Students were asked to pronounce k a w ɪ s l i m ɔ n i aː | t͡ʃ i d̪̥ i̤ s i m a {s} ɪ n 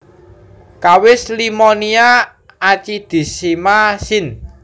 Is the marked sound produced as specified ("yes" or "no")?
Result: yes